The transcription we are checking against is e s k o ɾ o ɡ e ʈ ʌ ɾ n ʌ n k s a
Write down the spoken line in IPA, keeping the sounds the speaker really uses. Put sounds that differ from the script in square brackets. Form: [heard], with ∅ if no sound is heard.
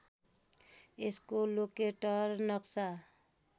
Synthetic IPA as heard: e s k o [l] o [k] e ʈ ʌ ɾ n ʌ [∅] k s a